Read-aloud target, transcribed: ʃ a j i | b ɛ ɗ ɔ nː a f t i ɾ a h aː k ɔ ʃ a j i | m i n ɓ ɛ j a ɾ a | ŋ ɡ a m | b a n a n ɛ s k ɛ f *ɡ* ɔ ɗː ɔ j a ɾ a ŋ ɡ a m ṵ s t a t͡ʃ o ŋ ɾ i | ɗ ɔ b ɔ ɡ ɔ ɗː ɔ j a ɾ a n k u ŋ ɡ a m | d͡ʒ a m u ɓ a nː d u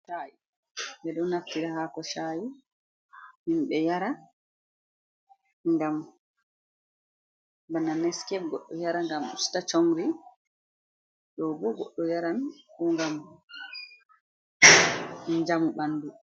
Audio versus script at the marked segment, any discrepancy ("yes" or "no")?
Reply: no